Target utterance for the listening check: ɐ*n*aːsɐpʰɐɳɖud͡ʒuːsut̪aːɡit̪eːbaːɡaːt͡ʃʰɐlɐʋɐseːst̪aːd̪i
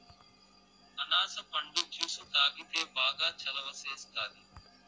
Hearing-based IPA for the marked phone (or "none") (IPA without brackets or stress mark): n